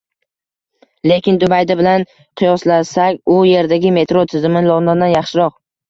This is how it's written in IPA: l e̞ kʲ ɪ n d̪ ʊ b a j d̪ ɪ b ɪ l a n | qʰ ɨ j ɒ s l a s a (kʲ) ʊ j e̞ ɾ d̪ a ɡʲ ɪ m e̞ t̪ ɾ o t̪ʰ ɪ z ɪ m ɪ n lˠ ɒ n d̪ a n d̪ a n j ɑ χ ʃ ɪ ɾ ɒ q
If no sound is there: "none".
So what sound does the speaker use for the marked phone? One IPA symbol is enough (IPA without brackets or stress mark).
kʲ